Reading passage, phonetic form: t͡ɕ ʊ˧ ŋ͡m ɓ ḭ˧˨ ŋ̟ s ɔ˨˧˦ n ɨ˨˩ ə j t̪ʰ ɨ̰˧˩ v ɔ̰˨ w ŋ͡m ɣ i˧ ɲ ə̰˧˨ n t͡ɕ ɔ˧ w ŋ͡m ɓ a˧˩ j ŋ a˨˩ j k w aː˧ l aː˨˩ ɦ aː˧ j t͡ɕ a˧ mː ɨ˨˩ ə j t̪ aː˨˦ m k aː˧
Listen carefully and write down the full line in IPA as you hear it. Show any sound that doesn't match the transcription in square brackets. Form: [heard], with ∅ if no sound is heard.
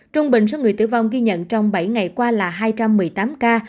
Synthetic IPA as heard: t͡ɕ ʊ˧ ŋ͡m ɓ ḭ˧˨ ŋ̟ s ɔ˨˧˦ [ŋ] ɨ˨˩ ə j [t̪] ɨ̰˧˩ v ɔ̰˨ w ŋ͡m ɣ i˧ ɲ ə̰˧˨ n t͡ɕ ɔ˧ w ŋ͡m ɓ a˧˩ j ŋ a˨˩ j k w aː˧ l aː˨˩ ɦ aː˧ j t͡ɕ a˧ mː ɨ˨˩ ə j t̪ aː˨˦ m k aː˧